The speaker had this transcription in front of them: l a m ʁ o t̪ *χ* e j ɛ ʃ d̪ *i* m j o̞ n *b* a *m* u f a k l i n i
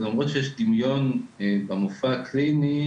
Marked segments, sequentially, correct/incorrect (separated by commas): incorrect, correct, correct, correct